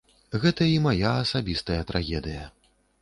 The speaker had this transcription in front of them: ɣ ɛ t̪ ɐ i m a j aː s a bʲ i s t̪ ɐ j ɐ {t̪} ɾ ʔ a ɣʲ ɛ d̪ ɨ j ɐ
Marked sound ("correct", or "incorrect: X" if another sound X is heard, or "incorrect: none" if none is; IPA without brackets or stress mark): correct